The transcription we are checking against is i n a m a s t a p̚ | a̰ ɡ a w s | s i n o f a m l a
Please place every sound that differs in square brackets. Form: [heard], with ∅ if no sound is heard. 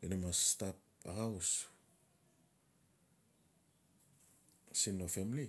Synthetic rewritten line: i n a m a s t a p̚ | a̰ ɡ a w s | s i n o f [e] m l [i]